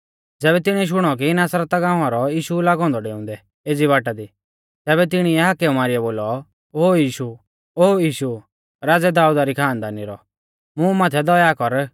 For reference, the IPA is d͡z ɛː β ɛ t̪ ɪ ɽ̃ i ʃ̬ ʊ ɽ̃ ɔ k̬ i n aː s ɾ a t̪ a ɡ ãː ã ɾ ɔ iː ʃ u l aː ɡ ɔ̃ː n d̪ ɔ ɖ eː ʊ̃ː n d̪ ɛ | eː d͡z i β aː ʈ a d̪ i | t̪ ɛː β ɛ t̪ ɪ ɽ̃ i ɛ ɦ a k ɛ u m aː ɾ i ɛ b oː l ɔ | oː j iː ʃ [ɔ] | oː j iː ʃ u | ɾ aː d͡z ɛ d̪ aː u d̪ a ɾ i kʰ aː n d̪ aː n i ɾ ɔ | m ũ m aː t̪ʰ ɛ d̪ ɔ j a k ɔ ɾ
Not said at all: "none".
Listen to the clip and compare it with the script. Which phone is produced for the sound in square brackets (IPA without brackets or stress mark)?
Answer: u